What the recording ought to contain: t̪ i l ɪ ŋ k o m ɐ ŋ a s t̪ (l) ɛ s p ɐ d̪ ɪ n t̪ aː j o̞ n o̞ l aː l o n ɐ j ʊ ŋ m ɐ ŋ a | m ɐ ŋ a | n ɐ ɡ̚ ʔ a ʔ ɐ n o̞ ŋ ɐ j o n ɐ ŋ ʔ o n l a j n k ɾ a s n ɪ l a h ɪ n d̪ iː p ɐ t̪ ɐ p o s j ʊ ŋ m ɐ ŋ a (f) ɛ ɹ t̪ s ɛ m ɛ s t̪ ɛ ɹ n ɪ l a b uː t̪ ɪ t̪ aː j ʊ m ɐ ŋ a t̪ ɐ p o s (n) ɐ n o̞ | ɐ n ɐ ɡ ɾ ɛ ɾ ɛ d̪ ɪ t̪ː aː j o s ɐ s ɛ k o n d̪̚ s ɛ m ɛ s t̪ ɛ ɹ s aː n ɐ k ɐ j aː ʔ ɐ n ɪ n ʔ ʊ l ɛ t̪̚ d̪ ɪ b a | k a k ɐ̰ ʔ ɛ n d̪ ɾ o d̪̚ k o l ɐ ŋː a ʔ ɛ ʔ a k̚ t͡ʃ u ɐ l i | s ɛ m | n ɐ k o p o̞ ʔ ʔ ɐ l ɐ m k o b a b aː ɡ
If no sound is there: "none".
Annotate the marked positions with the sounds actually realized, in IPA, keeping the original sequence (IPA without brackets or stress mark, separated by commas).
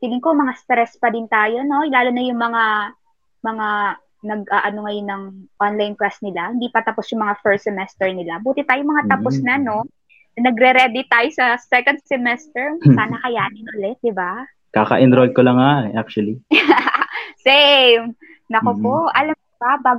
ɾ, f, n